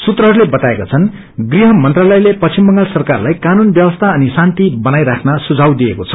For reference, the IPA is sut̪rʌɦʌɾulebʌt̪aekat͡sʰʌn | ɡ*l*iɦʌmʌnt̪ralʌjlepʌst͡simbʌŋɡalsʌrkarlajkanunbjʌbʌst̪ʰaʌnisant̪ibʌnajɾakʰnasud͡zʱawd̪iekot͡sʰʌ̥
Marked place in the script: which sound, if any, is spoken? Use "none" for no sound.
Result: r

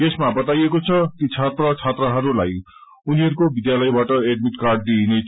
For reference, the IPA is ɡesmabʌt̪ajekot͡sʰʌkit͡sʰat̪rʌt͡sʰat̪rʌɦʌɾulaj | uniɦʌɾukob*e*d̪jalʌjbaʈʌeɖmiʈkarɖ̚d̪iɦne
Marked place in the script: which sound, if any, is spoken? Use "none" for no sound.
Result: i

